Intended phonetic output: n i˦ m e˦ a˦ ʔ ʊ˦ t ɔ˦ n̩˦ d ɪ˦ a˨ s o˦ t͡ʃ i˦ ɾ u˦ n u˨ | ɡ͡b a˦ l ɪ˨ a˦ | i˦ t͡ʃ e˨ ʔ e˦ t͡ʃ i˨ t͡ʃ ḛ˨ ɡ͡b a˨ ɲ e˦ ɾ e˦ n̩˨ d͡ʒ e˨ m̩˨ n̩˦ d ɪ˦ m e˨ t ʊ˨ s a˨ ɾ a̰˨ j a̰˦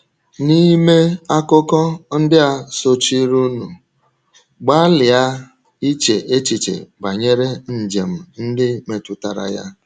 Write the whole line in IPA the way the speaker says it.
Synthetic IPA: n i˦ m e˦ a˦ k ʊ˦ k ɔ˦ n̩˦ d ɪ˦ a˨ s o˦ t͡ʃ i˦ ɾ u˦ n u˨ | ɡ͡b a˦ l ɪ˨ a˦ | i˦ t͡ʃ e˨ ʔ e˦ t͡ʃ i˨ t͡ʃ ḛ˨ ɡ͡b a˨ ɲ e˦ ɾ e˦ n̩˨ d͡ʒ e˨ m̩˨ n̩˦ d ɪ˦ m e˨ t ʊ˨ t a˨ ɾ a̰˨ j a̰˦